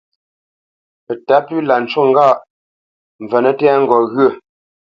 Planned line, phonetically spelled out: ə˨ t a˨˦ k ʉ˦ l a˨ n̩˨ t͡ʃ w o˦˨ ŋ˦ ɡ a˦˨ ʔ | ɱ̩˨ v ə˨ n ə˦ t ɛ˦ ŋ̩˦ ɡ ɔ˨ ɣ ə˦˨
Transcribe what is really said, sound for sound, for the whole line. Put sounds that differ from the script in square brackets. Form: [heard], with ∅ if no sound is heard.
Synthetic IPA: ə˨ t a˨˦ [p] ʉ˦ l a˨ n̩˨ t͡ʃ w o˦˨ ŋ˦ ɡ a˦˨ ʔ | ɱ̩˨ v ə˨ n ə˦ t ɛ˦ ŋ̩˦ ɡ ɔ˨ ɣ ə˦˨